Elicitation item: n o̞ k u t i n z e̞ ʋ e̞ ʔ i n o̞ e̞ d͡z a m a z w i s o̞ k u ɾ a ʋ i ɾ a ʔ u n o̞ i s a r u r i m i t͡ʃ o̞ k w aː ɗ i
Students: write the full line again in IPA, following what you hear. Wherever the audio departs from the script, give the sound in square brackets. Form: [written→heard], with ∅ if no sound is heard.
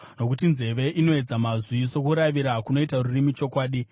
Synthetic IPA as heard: n o̞ k u t i n z e̞ ʋ e̞ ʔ i n o̞ e̞ d͡z a m a z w i s o̞ k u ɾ a ʋ i ɾ a [ʔ→k] u n o̞ i [s→t] a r u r i m i t͡ʃ o̞ k w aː ɗ i